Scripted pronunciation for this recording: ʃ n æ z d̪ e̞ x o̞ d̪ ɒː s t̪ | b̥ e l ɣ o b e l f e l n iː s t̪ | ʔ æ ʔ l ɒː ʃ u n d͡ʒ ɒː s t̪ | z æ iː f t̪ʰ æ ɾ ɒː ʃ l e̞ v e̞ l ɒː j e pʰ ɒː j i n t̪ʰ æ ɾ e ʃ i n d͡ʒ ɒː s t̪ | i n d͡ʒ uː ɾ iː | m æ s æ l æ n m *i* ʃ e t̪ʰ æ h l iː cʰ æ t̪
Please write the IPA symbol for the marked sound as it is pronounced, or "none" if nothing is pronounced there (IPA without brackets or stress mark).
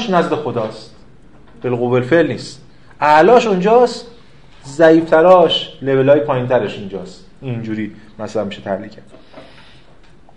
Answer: i